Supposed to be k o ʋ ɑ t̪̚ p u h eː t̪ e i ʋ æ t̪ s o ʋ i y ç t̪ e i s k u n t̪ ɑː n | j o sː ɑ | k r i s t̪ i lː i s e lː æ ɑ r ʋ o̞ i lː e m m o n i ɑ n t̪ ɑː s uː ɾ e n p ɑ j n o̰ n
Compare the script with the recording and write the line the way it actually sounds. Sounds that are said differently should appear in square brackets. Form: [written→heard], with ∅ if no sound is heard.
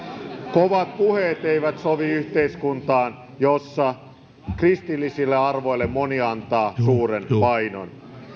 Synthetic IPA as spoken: k o ʋ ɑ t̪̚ p u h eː t̪ e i ʋ æ t̪ s o ʋ i y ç t̪ e i s k u n t̪ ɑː n | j o sː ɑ | k r i s t̪ i lː i s [e→i] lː [æ→e] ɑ r ʋ o̞ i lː e m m o n i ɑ n t̪ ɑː s uː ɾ e n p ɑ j n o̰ n